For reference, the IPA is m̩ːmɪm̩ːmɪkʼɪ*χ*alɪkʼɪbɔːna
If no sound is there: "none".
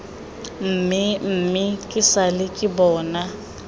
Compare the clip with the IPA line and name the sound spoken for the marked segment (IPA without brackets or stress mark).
s